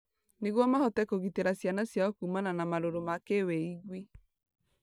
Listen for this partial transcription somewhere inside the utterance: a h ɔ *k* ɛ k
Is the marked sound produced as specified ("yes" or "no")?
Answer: no